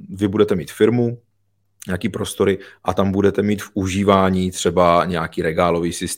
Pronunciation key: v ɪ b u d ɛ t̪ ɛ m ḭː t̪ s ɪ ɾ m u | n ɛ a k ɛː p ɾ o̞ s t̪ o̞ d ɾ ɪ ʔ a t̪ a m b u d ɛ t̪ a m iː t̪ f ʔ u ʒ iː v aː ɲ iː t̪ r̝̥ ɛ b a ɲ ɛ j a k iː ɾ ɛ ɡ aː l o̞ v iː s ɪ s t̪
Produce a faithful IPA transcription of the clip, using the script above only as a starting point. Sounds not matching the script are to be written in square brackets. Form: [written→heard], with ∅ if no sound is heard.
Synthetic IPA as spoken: v ɪ b u d ɛ t̪ ɛ m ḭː t̪ [s→f] ɪ ɾ m u | [n→ɲ] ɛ a k [ɛː→iː] p ɾ o̞ s t̪ o̞ [d→∅] ɾ ɪ ʔ a t̪ a m b u d ɛ t̪ [a→ɛ] m iː t̪ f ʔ u ʒ iː v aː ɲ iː t̪ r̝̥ ɛ b a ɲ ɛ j a k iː ɾ ɛ ɡ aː l o̞ v iː s ɪ s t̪